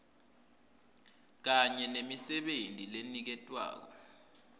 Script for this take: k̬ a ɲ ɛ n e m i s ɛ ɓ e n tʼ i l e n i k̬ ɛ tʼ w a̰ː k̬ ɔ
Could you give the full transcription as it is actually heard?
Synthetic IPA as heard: k̬ a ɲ ɛ n e m i s ɛ ɓ e n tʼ i l e n i k̬ ɛ tʼ w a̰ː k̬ ɔ